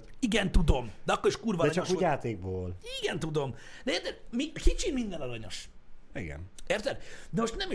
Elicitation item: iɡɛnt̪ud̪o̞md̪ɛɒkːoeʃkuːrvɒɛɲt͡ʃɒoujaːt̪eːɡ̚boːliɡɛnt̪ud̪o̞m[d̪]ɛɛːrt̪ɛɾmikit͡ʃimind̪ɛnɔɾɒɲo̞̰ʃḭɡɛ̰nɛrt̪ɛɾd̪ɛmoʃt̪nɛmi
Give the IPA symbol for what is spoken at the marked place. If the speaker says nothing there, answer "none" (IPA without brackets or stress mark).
d̪